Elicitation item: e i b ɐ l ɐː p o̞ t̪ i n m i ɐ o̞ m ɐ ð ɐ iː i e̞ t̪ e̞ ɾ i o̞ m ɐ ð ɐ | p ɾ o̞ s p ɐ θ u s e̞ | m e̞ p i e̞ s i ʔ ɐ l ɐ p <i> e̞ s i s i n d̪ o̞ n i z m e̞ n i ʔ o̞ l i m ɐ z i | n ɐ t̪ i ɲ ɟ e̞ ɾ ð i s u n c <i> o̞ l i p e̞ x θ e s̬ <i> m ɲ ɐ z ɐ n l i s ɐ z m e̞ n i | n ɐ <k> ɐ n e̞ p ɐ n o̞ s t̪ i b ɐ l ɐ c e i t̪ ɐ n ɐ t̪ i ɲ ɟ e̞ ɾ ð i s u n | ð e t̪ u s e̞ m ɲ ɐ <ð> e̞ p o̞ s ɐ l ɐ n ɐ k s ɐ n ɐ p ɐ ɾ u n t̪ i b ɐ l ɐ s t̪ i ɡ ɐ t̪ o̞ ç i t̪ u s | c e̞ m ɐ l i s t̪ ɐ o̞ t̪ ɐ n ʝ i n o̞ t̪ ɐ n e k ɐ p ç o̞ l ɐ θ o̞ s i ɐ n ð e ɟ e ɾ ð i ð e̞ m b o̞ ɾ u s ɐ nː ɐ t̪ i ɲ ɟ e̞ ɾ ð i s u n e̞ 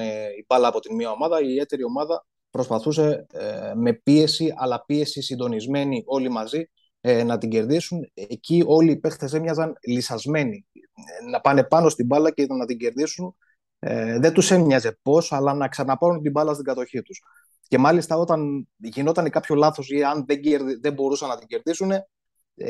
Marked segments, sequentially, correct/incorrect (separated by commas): correct, correct, incorrect, incorrect, incorrect